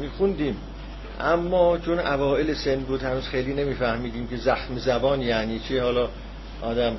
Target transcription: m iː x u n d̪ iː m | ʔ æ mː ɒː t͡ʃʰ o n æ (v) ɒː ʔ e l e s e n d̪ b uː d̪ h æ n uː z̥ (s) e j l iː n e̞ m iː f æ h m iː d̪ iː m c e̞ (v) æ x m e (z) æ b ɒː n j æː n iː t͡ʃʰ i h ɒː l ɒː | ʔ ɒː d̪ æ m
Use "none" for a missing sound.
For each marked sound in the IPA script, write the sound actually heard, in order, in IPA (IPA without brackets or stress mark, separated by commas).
v, x, z, z